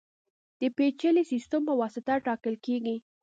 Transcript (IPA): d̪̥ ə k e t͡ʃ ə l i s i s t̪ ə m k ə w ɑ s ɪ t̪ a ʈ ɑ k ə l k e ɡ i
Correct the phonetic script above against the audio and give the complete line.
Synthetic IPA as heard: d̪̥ ə p e t͡ʃ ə l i s i s t̪ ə m p ə w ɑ s ɪ t̪ a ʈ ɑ k ə l k e ɡ i